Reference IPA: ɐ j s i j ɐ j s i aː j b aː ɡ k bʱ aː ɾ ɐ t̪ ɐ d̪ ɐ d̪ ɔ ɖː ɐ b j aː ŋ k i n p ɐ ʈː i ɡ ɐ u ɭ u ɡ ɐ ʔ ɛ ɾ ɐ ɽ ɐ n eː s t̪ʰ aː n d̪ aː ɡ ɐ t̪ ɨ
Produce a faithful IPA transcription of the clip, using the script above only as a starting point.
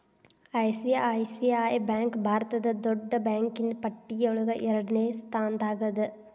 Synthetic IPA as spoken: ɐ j s i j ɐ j s i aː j b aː ŋ k bʱ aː ɾ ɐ t̪ ɐ d̪ ɐ d̪ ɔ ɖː ɐ b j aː ŋ k i n p ɐ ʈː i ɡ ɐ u ɭ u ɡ ɐ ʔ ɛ ɾ ɐ ɽ ɐ n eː s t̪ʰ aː n d̪ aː ɡ ɐ d̪ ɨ

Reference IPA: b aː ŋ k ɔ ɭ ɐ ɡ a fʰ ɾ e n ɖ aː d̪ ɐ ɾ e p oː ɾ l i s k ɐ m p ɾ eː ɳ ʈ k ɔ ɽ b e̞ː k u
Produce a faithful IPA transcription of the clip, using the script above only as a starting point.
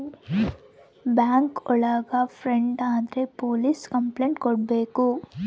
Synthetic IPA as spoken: b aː ŋ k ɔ ɭ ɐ ɡ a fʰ ɾ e ɳ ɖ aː d̪ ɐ ɾ e p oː l i s k ɐ m p l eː ɳ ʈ k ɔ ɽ b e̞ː k u

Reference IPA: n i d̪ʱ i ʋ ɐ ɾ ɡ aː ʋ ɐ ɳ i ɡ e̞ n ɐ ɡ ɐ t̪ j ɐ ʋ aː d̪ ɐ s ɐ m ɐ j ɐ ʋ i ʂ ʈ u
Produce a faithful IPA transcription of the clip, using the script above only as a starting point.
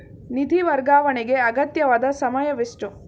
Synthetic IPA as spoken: n i d̪ʱ i ʋ ɐ ɾ ɡ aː ʋ ɐ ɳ i ɡ e̞ ɐ ɡ ɐ t̪ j ɐ ʋ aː d̪ ɐ s ɐ m ɐ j ɐ ʋ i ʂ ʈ u

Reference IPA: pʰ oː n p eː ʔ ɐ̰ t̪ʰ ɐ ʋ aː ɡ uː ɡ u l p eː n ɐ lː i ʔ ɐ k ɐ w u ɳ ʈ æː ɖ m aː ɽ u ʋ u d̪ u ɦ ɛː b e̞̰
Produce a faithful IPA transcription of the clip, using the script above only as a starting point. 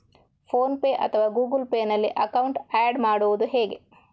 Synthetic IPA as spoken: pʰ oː n p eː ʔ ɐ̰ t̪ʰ ɐ ʋ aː ɡ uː ɡ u l p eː n ɐ lː i ʔ ɐ k ɐ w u ɳ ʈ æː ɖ m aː ɽ u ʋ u d̪ u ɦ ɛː ɡ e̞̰

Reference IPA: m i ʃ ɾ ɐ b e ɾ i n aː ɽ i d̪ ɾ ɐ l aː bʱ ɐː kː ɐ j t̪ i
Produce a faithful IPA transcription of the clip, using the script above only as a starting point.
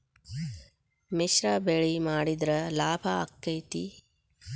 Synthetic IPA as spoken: m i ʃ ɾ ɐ b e ɭ i m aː ɽ i d̪ ɾ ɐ l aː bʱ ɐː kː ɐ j t̪ i

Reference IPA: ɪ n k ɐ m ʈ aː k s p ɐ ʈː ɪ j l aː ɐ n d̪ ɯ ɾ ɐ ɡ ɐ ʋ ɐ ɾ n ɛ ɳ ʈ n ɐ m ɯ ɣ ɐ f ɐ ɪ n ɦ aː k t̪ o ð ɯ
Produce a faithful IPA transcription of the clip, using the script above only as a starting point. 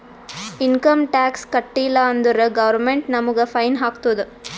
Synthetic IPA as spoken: ɪ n k ɐ m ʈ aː k s k ɐ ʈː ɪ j l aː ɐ n d̪ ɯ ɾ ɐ ɡ ɐ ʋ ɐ ɾ m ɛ ɳ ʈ n ɐ m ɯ ɣ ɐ f ɐ ɪ n ɦ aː k t̪ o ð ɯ

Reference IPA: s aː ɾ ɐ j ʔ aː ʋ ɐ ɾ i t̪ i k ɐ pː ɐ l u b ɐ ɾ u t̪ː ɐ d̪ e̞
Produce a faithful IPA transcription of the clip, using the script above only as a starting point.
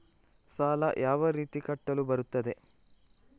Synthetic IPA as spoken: s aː l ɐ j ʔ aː ʋ ɐ ɾ iː t̪ i k ɐ ʈː ɐ l u b ɐ ɾ u t̪ː ɐ d̪ e̞

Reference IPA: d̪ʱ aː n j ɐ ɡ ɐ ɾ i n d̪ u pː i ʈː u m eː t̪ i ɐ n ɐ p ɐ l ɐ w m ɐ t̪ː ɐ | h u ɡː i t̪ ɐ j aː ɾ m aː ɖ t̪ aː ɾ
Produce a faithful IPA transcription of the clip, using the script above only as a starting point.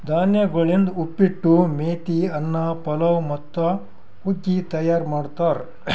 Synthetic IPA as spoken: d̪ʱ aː n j ɐ ɡ ɐ ɭ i n d̪ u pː i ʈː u m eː t̪ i ɐ nː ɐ p ɐ l ɐ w m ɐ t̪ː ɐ | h u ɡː i t̪ ɐ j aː ɾ m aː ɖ t̪ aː ɾ

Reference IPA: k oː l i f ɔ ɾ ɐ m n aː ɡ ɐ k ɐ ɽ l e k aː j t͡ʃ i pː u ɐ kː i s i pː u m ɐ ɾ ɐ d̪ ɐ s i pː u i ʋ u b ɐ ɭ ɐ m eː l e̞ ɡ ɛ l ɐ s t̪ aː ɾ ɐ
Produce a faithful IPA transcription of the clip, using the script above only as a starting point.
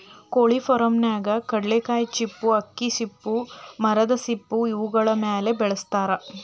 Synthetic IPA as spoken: k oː ɭ i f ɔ ɾ ɐ m n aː ɡ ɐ k ɐ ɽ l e k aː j t͡ʃ i pː u ɐ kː i s i pː u m ɐ ɾ ɐ d̪ ɐ s i pː u i ʋ u ɡ ɐ ɭ ɐ m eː l e̞ b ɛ ɭ ɐ s t̪ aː ɾ ɐ

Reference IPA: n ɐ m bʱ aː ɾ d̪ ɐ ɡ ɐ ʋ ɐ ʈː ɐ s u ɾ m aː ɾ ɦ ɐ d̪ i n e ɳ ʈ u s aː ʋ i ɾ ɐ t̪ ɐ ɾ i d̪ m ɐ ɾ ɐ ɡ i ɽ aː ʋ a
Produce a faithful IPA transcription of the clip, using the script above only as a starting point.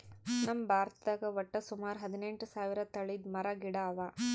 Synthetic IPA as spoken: n ɐ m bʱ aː ɾ t̪ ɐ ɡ ɐ ʋ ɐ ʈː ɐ s u m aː ɾ ɦ ɐ d̪ i n e ɳ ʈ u s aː ʋ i ɾ ɐ t̪ ɐ ɭ i d̪ m ɐ ɾ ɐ ɡ i ɽ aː ʋ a

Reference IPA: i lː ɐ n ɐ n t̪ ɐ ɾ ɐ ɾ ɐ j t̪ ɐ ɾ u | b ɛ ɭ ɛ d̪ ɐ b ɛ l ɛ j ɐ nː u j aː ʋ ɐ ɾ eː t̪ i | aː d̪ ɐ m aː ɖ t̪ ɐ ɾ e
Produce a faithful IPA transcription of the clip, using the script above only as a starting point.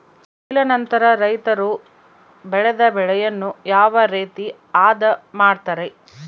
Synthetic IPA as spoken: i l ɐ n ɐ n t̪ ɐ ɾ ɐ ɾ ɐ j t̪ ɐ ɾ u | b ɛ ɭ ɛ d̪ ɐ b ɛ ɭ ɛ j ɐ nː u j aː ʋ ɐ ɾ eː t̪ i | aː d̪ ɐ m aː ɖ t̪ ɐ ɾ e

